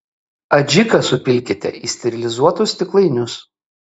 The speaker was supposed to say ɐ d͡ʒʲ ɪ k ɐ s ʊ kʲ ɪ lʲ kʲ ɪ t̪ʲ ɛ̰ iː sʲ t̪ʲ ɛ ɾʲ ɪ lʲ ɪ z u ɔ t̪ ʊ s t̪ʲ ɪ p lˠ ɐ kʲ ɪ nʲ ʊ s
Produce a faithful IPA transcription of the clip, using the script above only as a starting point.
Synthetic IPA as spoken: ɐ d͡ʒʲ ɪ k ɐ s ʊ pʲ ɪ lʲ kʲ ɪ t̪ʲ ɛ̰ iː sʲ t̪ʲ ɛ ɾʲ ɪ lʲ ɪ z u ɔ t̪ ʊ s t̪ʲ ɪ k lˠ ɐ ɪ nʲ ʊ s